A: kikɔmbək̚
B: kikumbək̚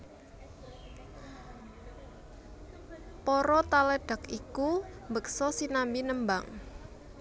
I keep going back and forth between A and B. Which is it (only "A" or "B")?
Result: B